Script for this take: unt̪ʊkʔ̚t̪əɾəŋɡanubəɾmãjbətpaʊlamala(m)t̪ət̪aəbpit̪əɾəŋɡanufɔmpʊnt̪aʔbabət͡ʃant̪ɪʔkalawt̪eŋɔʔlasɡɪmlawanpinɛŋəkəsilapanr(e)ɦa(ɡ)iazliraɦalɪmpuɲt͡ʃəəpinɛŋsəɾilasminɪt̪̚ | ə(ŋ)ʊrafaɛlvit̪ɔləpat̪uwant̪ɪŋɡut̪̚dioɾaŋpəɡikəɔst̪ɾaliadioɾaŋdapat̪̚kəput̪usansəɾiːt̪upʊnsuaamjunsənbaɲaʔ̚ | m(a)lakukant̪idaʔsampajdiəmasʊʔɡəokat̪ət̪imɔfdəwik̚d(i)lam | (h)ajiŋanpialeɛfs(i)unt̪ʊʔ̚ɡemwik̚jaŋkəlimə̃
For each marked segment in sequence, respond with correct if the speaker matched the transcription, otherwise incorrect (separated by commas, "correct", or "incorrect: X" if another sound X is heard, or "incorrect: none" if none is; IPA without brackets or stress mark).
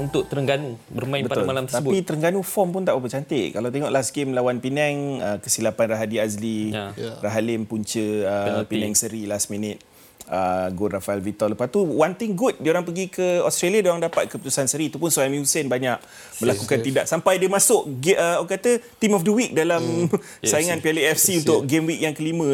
correct, incorrect: a, incorrect: d, incorrect: ɡ, incorrect: ə, incorrect: a, incorrect: s, correct